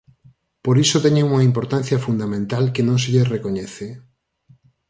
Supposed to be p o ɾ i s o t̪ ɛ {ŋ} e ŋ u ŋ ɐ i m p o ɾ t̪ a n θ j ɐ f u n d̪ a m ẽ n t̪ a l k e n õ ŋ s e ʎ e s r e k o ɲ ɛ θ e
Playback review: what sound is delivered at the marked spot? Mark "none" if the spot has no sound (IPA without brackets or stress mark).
ɲ